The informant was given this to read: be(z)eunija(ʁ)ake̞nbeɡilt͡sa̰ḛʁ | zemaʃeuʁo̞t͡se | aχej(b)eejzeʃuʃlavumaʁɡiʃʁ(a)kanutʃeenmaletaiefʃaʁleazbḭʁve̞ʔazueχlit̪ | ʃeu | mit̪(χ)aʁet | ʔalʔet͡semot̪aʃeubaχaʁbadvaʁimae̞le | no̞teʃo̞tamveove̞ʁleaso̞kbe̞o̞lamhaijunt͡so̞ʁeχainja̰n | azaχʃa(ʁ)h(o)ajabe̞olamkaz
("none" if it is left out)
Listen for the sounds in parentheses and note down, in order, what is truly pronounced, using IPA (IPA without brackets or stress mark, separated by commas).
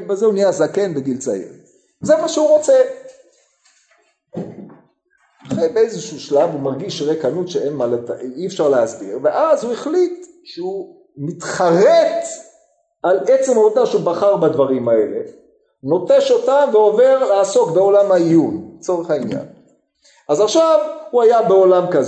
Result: z, z, b, e, χ, v, u